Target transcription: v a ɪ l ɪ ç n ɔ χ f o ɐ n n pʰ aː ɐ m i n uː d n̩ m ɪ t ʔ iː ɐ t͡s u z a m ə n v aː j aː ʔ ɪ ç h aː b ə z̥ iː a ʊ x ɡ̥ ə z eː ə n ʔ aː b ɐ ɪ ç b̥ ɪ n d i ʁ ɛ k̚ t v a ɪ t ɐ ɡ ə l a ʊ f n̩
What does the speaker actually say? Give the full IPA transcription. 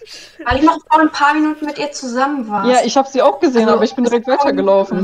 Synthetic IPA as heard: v a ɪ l ɪ ç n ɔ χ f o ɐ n n pʰ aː ɐ m i n uː t n̩ m ɪ t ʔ iː ɐ t͡s u z a m ə n v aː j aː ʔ ɪ ç h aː b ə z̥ iː a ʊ x ɡ̥ ə z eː ə n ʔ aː b ɐ ɪ ç b̥ ɪ n d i ʁ ɛ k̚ t v a ɪ t ɐ ɡ ə l a ʊ f n̩